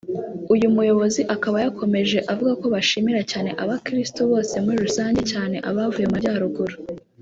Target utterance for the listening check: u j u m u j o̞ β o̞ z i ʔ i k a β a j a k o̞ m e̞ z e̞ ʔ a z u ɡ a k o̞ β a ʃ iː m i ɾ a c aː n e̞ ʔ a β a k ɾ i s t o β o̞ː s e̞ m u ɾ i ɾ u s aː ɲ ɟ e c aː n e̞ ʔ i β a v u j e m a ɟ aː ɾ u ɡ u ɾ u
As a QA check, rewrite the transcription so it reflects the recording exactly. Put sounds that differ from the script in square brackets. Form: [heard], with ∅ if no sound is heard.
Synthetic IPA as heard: u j u m u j o̞ β o̞ z i ʔ [a] k a β a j a k o̞ m e̞ [ʒ] e̞ ʔ a [v] u ɡ a k o̞ β a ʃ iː m i ɾ a c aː n e̞ ʔ a β a k ɾ i s t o β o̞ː s e̞ m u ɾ i ɾ u s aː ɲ ɟ e c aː n e̞ ʔ [a] β a v u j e m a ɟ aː ɾ u ɡ u ɾ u